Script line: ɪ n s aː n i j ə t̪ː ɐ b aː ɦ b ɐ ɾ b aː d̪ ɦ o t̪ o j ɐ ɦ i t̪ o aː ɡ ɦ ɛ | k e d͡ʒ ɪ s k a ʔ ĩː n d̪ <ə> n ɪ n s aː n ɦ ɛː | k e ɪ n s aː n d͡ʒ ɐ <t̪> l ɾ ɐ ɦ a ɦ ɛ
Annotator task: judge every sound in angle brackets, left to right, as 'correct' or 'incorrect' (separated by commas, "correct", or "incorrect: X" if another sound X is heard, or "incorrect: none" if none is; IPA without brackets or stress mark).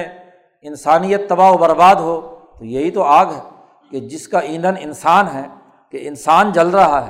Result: correct, incorrect: none